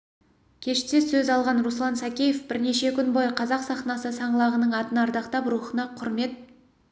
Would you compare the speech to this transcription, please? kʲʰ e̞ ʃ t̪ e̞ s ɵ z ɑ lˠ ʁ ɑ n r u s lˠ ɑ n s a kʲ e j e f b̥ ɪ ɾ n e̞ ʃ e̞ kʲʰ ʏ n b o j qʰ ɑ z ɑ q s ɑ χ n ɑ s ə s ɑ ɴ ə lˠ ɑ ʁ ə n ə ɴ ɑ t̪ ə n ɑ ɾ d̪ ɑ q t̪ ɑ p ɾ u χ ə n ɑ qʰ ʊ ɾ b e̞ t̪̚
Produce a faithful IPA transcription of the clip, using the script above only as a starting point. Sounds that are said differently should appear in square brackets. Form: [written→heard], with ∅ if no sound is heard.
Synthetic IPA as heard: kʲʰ e̞ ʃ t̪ e̞ s ɵ z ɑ lˠ ʁ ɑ n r u s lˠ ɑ n s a kʲ e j e f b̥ ɪ ɾ n e̞ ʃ e̞ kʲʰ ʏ n b o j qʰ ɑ z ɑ q s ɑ χ n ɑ s ə s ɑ ɴ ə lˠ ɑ ʁ ə n ə ɴ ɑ t̪ ə n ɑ ɾ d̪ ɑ q t̪ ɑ p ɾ u χ ə n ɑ qʰ ʊ ɾ [b→m] e̞ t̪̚

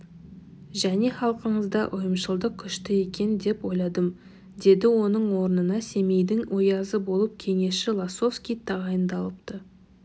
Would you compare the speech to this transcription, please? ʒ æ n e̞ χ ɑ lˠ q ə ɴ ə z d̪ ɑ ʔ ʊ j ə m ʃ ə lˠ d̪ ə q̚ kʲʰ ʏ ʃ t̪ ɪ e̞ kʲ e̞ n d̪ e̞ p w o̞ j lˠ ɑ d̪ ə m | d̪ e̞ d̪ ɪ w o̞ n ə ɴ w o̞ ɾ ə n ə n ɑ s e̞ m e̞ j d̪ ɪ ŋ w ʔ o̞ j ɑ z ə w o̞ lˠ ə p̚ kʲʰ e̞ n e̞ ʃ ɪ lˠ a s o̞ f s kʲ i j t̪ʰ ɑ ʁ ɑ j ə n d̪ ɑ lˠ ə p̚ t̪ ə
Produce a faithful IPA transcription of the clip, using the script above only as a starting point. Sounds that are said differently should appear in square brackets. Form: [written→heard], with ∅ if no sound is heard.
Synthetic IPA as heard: ʒ æ n e̞ χ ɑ lˠ q ə ɴ ə z d̪ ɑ ʔ ʊ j ə m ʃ ə lˠ d̪ ə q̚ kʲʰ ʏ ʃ t̪ ɪ e̞ kʲ e̞ n d̪ e̞ p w o̞ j lˠ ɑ d̪ ə m | d̪ e̞ d̪ ɪ w o̞ n ə ɴ w o̞ ɾ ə n ə n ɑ s e̞ m e̞ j d̪ ɪ ŋ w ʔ o̞ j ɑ z ə [w→b] o̞ lˠ ə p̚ kʲʰ e̞ [n→ŋ] e̞ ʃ ɪ lˠ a s o̞ f s kʲ i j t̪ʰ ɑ ʁ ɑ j ə n d̪ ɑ lˠ ə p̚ t̪ ə

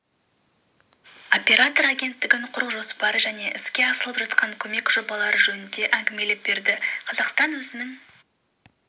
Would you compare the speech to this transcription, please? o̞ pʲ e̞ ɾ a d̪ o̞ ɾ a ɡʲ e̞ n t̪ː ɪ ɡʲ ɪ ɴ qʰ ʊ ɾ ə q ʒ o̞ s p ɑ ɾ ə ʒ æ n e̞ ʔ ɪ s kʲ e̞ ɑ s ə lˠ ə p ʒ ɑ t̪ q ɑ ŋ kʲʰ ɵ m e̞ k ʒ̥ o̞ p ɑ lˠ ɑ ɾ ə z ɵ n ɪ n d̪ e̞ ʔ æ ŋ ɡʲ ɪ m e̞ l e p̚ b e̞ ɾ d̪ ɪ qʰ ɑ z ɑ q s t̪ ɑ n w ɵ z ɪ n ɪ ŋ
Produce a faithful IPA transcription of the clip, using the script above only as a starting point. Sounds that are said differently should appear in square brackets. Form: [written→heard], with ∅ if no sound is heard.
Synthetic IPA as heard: o̞ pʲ e̞ ɾ a [d̪→t̪] o̞ ɾ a ɡʲ e̞ n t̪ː ɪ ɡʲ ɪ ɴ qʰ ʊ ɾ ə q ʒ o̞ s p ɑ ɾ ə ʒ æ n e̞ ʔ ɪ s kʲ e̞ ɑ s ə lˠ ə p ʒ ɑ t̪ q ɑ ŋ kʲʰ ɵ m e̞ k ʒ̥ o̞ [p→b] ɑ lˠ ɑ ɾ ə [z→ʒ] ɵ n ɪ n d̪ e̞ ʔ æ ŋ ɡʲ ɪ m e̞ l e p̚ b e̞ ɾ d̪ ɪ qʰ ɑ z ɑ q s t̪ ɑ n w ɵ z ɪ n ɪ ŋ

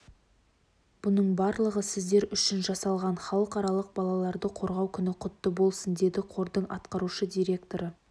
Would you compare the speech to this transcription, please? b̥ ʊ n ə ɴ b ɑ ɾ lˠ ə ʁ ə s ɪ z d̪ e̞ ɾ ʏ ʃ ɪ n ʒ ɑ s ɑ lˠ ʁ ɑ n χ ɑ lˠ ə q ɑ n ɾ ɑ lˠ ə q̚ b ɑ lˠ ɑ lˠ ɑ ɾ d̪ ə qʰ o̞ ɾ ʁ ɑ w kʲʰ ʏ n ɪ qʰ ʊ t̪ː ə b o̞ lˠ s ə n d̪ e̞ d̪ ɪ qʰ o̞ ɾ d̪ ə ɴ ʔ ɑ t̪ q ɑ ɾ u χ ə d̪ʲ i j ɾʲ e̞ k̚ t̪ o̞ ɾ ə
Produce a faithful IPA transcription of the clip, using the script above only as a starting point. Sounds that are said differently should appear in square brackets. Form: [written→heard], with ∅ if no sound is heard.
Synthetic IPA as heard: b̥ ʊ n ə ɴ b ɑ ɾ lˠ ə ʁ ə s ɪ z d̪ e̞ ɾ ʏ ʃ ɪ n ʒ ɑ s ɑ lˠ ʁ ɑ n χ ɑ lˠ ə q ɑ [n→∅] ɾ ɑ lˠ ə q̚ b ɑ lˠ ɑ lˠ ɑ ɾ d̪ ə qʰ o̞ ɾ ʁ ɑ w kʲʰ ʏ n ɪ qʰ ʊ t̪ː ə b o̞ lˠ s ə n d̪ e̞ d̪ ɪ qʰ o̞ ɾ d̪ ə ɴ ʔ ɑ t̪ q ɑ ɾ u [χ→ʃ] ə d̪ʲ i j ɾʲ e̞ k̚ t̪ o̞ ɾ ə

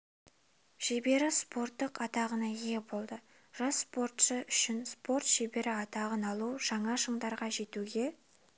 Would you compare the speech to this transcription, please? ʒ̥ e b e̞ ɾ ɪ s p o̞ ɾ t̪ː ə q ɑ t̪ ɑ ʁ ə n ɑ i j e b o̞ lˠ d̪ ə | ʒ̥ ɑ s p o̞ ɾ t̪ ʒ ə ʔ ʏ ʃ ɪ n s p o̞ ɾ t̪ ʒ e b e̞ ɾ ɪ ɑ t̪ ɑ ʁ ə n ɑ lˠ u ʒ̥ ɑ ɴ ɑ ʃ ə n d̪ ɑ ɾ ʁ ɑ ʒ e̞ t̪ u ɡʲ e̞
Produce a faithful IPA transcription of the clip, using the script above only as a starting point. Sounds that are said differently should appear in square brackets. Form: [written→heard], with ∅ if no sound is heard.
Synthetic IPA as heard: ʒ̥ e b e̞ ɾ ɪ s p o̞ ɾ t̪ː ə q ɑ t̪ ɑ ʁ ə n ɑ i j e b o̞ lˠ d̪ ə | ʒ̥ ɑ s p o̞ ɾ t̪ [ʒ→ʃ] ə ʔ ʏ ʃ ɪ n s p o̞ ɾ t̪ ʒ e b e̞ ɾ ɪ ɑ t̪ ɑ ʁ ə n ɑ lˠ u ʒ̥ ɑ ɴ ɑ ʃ ə [n→ɴ] d̪ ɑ ɾ ʁ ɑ ʒ e̞ t̪ u ɡʲ e̞

